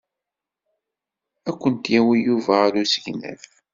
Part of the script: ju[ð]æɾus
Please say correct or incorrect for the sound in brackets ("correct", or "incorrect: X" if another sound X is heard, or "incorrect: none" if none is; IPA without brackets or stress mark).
incorrect: v